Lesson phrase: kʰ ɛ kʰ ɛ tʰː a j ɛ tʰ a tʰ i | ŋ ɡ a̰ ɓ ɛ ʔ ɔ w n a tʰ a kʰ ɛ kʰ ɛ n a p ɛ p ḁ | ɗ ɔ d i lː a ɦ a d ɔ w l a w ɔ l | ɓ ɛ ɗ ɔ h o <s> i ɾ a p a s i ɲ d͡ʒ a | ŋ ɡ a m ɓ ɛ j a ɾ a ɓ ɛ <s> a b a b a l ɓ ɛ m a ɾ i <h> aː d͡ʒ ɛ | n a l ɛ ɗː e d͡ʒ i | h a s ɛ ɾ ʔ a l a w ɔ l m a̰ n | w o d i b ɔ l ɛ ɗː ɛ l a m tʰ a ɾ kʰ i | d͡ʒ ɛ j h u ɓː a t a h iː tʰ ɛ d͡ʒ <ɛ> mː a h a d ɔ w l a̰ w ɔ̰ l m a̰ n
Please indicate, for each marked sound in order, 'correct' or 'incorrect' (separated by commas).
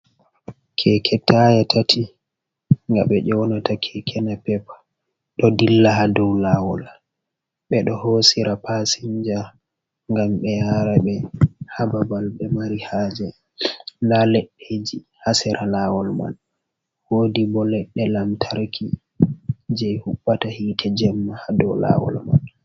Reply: correct, incorrect, correct, correct